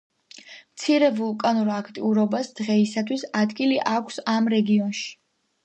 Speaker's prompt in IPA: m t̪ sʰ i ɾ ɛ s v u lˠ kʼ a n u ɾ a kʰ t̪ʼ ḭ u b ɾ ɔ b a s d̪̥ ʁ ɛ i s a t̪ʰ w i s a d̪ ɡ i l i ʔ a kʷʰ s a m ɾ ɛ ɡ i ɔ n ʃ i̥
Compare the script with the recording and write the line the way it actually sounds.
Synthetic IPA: m t̪ sʰ i ɾ ɛ v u lˠ kʼ a n u ɾ a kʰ t̪ʼ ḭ u ɾ ɔ b a s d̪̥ ʁ ɛ i s a t̪ʰ w i s a d̪ ɡ i l i ʔ a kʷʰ s a m ɾ ɛ ɡ i ɔ n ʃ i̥